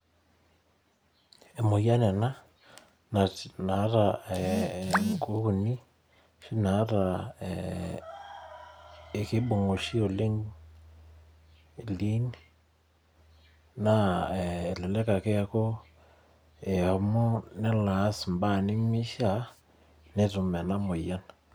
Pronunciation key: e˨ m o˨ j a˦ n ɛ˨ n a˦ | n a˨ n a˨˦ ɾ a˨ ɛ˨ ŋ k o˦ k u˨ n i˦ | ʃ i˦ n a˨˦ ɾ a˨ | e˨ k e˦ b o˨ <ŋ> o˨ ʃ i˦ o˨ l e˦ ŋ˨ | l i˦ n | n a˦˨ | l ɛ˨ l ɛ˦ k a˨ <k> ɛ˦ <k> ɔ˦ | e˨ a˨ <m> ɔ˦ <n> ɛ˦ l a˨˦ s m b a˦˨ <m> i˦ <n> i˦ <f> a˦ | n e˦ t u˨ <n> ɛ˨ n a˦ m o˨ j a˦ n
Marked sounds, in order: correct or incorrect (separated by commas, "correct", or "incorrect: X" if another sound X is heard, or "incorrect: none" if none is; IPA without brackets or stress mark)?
correct, correct, correct, correct, correct, incorrect: n, incorrect: m, incorrect: ʃ, incorrect: m